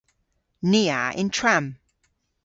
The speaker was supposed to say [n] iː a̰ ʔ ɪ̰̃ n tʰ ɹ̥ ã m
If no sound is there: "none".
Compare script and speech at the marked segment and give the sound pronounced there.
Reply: n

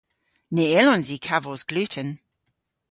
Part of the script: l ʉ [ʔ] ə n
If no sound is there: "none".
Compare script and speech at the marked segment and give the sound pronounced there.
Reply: t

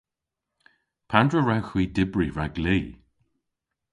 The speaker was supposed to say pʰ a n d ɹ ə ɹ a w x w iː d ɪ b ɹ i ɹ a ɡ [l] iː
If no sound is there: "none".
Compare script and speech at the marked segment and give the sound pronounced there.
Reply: l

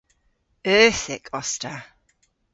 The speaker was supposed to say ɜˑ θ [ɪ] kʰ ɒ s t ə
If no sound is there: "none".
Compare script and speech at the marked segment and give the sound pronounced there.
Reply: ɪ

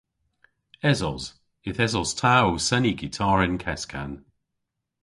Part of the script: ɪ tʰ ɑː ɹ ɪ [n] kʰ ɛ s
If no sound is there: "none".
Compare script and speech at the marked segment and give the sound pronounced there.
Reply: n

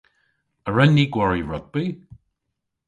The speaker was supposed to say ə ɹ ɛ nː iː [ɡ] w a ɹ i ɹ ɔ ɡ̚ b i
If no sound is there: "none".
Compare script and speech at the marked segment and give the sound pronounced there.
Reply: ɡ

